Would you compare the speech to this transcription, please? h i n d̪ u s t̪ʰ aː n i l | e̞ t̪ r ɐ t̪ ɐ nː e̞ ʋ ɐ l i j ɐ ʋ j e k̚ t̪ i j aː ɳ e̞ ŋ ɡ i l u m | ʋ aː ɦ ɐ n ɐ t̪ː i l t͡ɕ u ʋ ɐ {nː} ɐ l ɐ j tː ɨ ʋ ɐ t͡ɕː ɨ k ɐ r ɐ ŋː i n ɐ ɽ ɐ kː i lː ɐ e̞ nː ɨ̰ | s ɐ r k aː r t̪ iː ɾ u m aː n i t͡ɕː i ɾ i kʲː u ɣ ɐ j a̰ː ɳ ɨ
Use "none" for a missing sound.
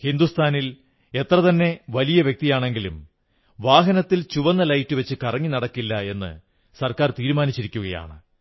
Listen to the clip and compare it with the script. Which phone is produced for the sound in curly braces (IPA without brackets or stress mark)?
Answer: nː